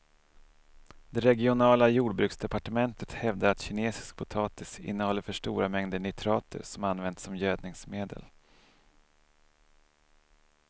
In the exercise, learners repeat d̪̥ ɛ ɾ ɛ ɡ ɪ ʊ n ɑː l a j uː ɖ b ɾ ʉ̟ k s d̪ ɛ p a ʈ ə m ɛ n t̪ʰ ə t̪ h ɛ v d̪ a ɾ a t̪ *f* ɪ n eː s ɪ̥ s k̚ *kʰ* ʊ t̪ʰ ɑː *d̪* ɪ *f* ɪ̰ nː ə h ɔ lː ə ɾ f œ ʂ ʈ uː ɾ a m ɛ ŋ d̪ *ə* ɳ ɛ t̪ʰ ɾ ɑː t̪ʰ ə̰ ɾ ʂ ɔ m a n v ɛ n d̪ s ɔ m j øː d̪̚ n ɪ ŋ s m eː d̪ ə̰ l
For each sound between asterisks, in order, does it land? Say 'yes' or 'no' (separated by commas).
no, no, no, no, yes